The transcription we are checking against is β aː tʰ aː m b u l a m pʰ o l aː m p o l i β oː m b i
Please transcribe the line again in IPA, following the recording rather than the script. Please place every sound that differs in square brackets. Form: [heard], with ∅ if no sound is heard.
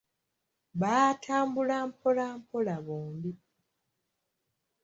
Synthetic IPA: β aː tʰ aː m b u l a m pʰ o l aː m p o l [a] β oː m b i